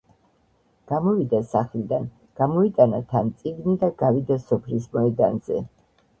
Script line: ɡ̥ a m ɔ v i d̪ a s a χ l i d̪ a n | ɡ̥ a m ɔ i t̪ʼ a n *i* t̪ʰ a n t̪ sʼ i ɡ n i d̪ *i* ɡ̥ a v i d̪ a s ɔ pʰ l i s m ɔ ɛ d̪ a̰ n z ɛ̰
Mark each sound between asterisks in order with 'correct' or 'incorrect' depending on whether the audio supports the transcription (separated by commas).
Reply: incorrect, incorrect